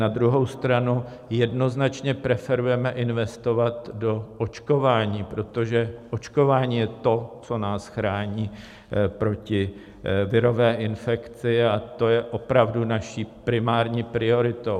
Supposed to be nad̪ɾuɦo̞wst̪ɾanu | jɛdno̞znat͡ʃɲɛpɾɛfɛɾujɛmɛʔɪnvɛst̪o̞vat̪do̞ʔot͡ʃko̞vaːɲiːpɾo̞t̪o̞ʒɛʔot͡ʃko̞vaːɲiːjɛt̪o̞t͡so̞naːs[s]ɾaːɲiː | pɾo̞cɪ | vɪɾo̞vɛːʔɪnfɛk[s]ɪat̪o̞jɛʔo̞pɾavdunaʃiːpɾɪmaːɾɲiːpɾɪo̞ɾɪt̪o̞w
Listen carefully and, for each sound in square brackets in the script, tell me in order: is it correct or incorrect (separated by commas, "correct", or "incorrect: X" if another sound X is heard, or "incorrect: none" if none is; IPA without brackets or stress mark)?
incorrect: x, incorrect: t͡s